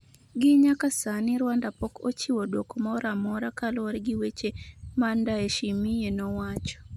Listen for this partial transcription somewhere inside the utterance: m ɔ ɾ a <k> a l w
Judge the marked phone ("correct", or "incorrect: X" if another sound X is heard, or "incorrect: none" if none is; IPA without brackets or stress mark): correct